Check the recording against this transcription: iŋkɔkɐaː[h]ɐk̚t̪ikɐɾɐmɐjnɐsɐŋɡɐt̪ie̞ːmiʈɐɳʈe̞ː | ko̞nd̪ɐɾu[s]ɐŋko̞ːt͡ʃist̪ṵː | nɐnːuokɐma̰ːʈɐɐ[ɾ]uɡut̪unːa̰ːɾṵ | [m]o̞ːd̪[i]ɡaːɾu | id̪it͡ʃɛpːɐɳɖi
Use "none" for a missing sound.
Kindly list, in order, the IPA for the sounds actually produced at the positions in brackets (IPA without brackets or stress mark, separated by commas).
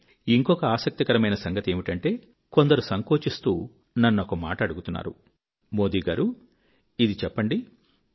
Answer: s, s, ɽ, m, iː